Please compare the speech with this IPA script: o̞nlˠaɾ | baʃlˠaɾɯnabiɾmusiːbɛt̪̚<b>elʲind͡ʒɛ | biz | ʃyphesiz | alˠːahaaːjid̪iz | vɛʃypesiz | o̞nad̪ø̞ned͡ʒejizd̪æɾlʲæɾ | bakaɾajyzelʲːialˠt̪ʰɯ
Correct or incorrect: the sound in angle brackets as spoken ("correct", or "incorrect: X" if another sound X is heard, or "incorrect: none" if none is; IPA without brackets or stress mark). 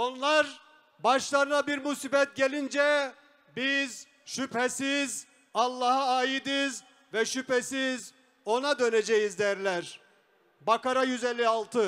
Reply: incorrect: ɟ